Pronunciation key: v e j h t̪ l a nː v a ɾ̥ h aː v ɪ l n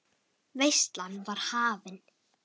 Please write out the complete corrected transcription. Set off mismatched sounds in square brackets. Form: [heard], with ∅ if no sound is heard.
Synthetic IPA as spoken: v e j [s] t̪ l a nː v a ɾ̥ h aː v ɪ [∅] n